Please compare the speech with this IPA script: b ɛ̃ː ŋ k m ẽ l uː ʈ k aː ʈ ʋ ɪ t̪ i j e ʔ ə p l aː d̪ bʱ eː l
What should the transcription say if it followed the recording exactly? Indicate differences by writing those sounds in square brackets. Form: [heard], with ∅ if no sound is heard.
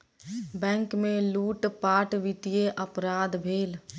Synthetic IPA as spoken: b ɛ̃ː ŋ k m ẽ l uː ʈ [p] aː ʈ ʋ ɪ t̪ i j e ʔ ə p [ɾ] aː d̪ bʱ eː l